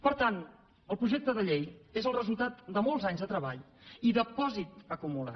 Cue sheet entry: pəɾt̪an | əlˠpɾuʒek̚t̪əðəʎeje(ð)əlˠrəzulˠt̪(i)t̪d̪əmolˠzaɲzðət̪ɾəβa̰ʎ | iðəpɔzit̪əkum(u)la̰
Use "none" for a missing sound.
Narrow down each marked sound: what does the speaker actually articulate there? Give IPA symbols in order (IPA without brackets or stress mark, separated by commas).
z, a, u